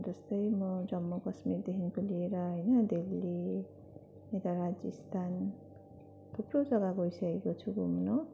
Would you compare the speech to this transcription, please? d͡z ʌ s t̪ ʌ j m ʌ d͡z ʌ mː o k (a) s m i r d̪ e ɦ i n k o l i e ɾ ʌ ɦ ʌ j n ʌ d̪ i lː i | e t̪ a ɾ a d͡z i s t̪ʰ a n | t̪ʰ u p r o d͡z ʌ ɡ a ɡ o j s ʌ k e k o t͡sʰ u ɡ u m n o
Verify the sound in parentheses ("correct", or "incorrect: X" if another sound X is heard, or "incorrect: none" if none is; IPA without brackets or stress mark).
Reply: incorrect: ʌ